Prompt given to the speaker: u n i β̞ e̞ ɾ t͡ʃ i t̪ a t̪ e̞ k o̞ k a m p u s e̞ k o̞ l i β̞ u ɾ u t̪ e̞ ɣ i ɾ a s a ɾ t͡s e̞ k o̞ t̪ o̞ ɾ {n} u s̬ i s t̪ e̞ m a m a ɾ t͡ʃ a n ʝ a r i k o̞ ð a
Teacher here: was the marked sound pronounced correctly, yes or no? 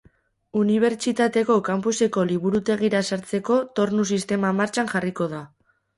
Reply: yes